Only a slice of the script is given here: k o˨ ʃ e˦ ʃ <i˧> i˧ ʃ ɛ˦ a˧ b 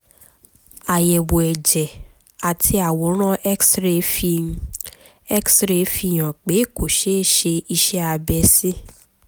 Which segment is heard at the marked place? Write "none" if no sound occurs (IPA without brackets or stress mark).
e˧